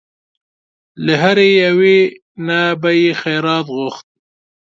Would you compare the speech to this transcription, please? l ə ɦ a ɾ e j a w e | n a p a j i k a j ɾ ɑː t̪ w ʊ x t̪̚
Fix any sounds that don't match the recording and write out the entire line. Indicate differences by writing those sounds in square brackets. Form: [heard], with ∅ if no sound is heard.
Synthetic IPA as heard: l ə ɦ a ɾ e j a w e | n a [b] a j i [x] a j ɾ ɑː t̪ [ɣ] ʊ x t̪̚